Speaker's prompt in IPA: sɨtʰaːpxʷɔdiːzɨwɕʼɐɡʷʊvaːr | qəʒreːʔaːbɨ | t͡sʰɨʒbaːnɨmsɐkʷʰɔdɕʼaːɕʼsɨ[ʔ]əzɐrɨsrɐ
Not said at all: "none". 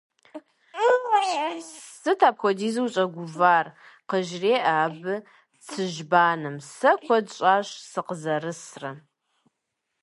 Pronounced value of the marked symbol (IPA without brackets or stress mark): q